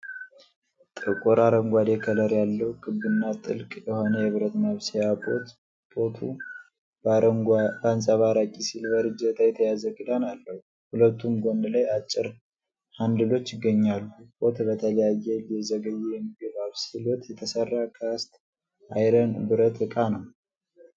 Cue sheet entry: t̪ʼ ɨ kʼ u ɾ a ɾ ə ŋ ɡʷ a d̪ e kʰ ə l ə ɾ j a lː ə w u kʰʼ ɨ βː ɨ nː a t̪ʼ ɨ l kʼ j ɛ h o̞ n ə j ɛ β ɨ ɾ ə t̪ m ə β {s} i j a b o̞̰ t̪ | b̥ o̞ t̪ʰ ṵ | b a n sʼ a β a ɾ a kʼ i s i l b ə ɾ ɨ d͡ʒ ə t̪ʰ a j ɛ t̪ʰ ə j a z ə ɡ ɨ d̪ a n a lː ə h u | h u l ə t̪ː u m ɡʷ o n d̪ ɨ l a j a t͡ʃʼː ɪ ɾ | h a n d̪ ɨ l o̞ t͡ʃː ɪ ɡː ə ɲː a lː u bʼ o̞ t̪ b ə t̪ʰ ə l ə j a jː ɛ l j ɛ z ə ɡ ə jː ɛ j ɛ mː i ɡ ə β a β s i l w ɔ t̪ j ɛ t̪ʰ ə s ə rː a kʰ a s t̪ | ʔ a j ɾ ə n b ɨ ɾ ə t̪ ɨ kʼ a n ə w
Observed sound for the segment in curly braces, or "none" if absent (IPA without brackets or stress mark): s